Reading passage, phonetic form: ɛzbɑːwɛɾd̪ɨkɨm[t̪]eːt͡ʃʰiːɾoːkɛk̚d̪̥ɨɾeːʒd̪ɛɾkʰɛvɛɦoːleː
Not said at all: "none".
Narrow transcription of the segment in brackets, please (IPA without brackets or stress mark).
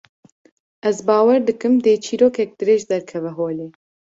d̪